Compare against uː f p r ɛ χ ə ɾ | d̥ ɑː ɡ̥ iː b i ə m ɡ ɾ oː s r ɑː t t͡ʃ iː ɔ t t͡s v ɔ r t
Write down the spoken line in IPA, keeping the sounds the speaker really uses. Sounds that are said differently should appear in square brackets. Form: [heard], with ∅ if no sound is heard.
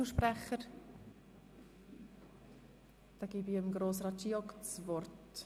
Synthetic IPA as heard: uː [ʃ] p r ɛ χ ə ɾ | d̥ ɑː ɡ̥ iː b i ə m ɡ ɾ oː s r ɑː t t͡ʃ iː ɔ [k] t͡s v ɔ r t